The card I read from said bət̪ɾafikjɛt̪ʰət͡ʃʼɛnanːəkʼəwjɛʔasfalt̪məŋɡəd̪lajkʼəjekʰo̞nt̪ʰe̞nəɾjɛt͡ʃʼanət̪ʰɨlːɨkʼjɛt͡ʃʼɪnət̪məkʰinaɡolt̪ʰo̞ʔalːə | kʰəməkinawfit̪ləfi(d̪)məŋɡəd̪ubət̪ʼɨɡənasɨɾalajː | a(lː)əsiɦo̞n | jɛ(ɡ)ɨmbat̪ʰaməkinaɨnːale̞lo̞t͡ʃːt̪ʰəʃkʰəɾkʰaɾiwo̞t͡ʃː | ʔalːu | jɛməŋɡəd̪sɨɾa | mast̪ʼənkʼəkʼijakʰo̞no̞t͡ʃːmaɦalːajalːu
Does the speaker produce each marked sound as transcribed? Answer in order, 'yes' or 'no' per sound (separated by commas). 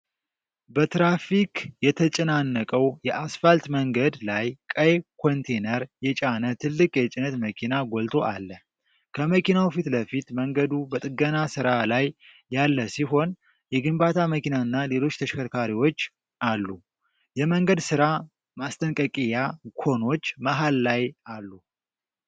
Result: no, yes, yes